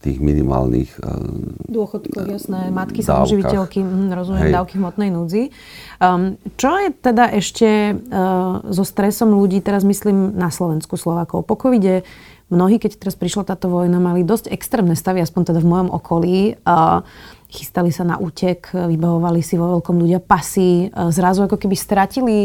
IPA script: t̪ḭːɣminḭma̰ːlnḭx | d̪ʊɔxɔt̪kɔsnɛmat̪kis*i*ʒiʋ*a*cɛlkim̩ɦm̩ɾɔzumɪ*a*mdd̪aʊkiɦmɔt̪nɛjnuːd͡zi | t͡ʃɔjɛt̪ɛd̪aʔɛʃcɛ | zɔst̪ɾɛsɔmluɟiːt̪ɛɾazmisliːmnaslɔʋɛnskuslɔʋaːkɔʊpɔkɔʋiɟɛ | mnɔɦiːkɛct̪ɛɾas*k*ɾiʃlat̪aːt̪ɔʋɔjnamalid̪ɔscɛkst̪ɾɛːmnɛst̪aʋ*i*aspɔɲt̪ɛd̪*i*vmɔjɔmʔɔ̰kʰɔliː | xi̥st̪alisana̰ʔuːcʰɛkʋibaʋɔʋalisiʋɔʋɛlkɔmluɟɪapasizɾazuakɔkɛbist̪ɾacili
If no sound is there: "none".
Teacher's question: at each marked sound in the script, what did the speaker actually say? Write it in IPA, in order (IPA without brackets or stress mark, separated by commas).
a, i, ɛ, p, i, a